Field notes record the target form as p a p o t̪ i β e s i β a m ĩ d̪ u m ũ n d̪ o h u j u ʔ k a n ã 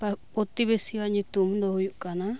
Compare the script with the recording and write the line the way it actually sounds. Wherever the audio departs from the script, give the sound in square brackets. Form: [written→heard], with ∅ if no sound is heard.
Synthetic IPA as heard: p a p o t̪ i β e s i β a [m→ɲ] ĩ [d̪→t̪] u m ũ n d̪ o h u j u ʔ k a n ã